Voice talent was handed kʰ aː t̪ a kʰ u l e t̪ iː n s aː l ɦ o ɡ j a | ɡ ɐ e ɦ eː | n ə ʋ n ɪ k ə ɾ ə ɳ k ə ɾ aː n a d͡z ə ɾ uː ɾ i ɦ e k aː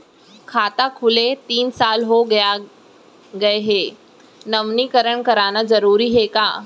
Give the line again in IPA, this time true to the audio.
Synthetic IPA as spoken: kʰ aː t̪ a kʰ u l e t̪ iː n s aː l ɦ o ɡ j a | ɡ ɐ e ɦ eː | n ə ʋ n i k ə ɾ ə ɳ k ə ɾ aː n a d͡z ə ɾ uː ɾ i ɦ e k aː